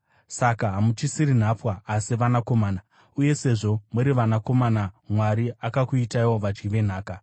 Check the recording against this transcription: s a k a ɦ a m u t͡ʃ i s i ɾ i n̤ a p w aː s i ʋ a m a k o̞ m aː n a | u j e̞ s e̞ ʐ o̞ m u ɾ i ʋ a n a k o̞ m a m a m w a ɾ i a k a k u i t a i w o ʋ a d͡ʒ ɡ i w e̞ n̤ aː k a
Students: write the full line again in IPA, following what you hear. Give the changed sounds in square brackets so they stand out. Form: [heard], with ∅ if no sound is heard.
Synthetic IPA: s a k a ɦ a m u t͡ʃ i s i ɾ i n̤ a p w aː s i ʋ a [n] a k o̞ m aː n a | u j e̞ s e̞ ʐ o̞ m u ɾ i ʋ a n a k o̞ m a [n] a m w a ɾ i a k a k u i t a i w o ʋ a d͡ʒ ɡ i [ʋ] e̞ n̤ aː k a